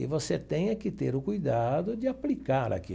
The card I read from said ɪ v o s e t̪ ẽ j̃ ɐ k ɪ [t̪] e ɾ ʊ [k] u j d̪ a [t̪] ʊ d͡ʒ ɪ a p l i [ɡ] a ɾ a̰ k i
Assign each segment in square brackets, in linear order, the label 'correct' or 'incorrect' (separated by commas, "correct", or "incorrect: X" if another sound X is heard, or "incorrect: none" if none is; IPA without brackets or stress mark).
correct, correct, incorrect: d̪, incorrect: k